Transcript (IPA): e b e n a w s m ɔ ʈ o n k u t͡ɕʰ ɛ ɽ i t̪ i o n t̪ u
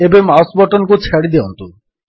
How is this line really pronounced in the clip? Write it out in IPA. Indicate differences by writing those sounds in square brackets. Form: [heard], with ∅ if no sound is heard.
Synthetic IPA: e b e [m] a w s [b] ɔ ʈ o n k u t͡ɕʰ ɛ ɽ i [d̪] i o n t̪ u